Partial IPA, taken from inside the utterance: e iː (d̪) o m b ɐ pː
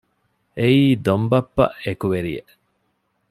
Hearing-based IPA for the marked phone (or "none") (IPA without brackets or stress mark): d̪